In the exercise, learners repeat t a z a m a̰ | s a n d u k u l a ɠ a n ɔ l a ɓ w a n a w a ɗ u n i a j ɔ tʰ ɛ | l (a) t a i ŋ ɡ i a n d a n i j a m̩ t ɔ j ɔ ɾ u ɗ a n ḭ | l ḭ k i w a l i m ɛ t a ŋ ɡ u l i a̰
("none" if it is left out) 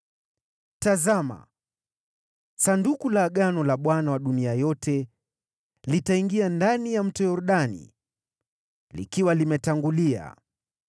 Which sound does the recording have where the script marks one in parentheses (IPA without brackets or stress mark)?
i